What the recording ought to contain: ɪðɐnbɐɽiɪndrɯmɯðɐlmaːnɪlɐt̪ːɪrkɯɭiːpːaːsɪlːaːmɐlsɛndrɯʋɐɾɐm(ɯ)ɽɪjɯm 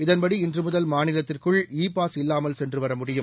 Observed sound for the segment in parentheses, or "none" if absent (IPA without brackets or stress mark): ʊ